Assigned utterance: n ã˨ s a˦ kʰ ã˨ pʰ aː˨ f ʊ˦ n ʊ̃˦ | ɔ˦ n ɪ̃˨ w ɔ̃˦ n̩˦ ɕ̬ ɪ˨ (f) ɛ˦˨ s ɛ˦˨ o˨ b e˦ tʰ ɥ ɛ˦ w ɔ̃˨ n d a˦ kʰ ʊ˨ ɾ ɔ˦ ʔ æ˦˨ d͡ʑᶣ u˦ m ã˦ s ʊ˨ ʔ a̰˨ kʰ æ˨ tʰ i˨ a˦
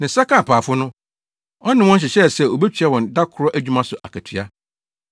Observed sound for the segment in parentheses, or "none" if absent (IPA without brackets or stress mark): ɕ